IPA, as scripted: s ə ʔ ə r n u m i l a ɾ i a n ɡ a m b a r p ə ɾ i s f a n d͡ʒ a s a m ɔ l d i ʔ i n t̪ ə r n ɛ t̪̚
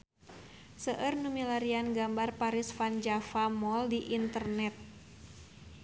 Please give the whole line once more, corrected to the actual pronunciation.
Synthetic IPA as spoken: s ə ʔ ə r n u m i l a ɾ i a n ɡ a m b a r p a ɾ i s f a n d͡ʒ a f a m ɔ l d i ʔ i n t̪ ə r n ɛ t̪̚